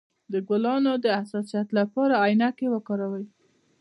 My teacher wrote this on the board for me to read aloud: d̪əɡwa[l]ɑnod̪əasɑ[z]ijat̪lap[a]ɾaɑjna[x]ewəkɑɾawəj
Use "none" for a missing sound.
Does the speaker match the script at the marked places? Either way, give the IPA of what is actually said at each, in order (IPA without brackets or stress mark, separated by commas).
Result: l, s, ɑ, k